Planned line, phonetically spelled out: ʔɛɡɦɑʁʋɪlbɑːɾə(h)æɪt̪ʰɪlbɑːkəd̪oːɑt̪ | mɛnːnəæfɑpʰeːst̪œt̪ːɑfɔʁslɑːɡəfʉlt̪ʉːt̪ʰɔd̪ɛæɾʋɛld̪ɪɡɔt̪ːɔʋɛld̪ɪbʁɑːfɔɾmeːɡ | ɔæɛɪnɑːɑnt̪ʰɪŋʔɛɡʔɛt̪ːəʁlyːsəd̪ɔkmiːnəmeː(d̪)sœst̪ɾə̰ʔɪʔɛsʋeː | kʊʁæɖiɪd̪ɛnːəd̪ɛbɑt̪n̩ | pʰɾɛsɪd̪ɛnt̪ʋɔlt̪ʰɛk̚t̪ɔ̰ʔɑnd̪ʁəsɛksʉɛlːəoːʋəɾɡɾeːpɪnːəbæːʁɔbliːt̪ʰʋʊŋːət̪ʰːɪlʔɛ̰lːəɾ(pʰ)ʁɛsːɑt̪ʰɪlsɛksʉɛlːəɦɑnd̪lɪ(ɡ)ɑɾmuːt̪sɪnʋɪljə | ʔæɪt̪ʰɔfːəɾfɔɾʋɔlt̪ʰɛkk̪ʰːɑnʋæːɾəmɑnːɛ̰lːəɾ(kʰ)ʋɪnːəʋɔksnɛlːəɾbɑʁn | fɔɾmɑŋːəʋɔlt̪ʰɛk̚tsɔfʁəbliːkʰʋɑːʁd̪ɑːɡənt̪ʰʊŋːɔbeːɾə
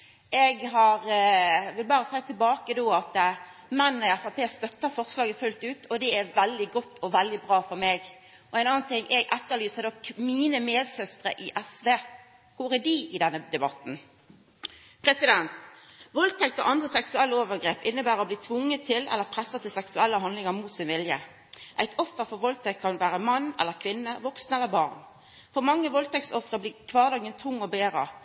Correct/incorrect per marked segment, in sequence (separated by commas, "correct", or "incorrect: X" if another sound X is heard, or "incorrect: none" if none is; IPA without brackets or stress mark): incorrect: s, correct, correct, incorrect: ŋ, correct